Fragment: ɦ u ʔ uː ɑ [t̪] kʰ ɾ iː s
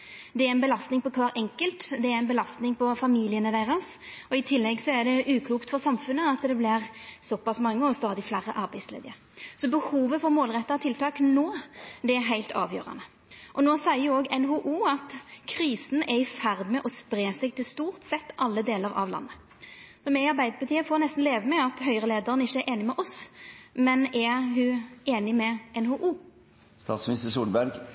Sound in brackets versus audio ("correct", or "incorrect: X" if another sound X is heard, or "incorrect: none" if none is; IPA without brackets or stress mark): correct